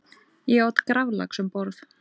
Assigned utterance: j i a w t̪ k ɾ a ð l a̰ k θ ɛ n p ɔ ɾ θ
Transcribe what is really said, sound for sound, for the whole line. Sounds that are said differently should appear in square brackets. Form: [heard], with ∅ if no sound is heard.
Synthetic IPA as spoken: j [ɛ] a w t̪ k ɾ a [v] l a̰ k [s] ɛ [m] p ɔ ɾ θ